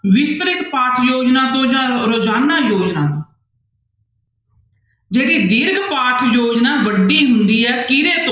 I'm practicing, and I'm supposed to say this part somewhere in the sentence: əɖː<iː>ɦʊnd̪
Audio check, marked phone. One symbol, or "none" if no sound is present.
iː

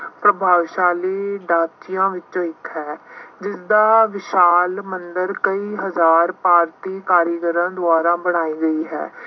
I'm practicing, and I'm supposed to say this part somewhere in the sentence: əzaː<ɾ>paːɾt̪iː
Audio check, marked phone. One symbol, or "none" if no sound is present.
ɾ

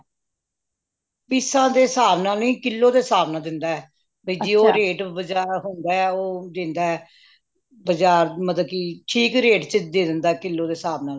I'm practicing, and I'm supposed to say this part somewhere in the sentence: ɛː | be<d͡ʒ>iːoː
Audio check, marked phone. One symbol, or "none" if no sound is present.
d͡ʒ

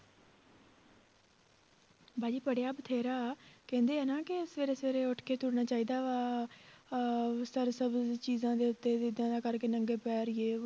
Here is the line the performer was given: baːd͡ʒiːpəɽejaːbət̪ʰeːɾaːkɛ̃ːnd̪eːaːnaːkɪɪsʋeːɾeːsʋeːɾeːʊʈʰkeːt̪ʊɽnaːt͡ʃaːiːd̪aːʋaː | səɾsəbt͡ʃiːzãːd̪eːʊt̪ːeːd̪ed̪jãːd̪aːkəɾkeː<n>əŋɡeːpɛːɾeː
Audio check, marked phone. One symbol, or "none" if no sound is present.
n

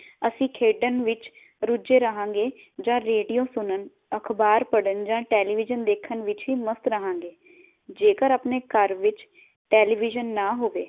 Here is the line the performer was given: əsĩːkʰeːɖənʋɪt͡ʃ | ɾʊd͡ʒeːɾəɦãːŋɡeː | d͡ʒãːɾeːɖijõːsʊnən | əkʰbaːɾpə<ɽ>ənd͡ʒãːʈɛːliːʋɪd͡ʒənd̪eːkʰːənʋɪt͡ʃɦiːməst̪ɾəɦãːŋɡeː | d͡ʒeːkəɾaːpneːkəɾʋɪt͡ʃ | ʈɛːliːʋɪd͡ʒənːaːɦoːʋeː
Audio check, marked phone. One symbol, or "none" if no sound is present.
ɽ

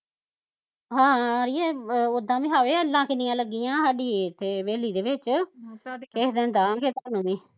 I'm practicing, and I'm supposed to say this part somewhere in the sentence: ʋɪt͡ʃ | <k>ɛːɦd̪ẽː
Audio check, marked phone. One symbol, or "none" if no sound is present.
k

